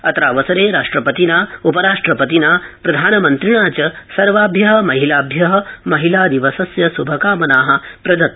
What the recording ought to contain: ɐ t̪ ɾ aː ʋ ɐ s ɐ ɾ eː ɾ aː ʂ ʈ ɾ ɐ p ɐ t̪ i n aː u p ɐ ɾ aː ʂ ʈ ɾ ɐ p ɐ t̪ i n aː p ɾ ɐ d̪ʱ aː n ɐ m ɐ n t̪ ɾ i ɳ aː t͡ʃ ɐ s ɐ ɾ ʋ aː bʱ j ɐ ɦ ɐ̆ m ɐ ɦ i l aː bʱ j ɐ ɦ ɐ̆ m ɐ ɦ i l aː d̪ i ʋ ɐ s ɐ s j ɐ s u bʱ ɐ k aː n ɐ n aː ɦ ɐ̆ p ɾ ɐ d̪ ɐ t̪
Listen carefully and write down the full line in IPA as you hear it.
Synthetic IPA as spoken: ɐ t̪ ɾ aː ʋ ɐ s ɐ ɾ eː ɾ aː ʂ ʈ ɾ ɐ p ɐ t̪ i n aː u p ɐ ɾ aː ʂ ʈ ɾ ɐ p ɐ t̪ i n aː p ɾ ɐ d̪ʱ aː n ɐ m ɐ n t̪ ɾ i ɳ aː t͡ʃ ɐ s ɐ ɾ ʋ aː bʱ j ɐ ɦ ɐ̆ m ɐ ɦ i l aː bʱ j ɐ ɦ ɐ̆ m ɐ ɦ i l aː d̪ i ʋ ɐ s ɐ s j ɐ s u bʱ ɐ k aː m ɐ n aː ɦ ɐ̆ p ɾ ɐ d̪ ɐ t̪